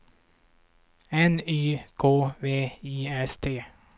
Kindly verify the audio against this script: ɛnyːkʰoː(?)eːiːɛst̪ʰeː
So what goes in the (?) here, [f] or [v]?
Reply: v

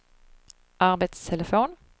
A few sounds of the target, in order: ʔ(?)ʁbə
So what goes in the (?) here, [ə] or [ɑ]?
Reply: ɑ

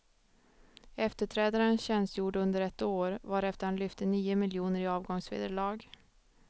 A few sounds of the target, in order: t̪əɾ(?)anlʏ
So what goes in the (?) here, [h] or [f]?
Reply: h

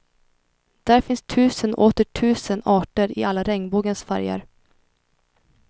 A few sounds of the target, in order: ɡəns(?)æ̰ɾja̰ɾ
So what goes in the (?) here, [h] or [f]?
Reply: f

